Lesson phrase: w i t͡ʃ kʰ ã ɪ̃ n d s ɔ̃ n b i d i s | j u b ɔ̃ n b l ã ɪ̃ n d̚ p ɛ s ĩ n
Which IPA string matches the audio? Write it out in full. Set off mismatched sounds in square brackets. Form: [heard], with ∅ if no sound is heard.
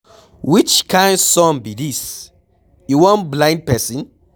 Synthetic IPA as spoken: w i t͡ʃ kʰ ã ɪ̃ n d s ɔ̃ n b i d i s | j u [w] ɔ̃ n b l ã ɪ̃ n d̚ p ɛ s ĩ n

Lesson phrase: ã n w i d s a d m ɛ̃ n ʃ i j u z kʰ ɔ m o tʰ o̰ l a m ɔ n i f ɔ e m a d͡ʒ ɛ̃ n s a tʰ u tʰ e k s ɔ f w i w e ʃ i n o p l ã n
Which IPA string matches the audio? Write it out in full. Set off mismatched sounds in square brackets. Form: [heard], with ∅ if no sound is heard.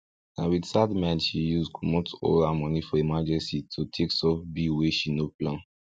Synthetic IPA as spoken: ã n w i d s a d m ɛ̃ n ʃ i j u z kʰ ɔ m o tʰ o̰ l a m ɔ n i f ɔ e m a d͡ʒ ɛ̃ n s [i] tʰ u tʰ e k s ɔ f [b] i w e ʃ i n o p l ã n

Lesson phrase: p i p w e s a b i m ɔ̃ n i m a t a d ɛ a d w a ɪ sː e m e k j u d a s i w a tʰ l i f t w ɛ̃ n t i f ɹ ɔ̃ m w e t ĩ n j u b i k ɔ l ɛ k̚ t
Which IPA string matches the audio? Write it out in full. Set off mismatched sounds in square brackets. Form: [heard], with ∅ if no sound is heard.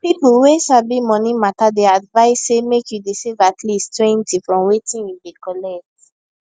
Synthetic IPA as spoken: p i p w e s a b i m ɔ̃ n i m a t a d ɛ a d [v] a ɪ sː e m e k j u d [i] s i [v] a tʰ l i [s] t w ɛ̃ n t i f ɹ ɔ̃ m w e t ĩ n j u b i k ɔ l ɛ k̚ t

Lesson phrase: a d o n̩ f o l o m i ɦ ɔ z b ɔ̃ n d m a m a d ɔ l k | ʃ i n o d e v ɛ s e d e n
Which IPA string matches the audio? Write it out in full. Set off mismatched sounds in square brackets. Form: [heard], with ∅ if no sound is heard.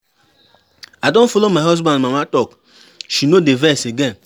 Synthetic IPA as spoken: a d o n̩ f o l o m [a] ɦ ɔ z b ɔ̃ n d m a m a [t] ɔ [∅] k | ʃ i n o d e v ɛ s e [ɡ] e n

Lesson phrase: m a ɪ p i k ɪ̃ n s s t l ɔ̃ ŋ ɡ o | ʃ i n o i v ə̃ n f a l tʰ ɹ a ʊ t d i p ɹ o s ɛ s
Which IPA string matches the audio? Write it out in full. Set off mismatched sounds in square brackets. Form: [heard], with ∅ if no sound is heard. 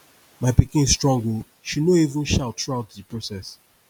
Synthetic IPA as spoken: m a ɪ p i k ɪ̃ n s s t [ɹ] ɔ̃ ŋ ɡ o | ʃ i n o i v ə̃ n [ʃ] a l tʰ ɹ a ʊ t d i p ɹ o s ɛ s

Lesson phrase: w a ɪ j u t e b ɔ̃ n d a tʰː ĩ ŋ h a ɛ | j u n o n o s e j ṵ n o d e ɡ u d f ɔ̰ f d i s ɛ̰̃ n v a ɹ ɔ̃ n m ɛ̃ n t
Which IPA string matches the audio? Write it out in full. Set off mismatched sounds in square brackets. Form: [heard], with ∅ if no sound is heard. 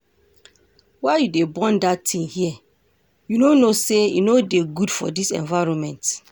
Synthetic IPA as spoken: w a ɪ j u [d] e b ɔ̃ n d a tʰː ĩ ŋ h [i] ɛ | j u n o n o s e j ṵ n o d e ɡ u d f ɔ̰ [∅] d i s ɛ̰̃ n v a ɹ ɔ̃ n m ɛ̃ n t

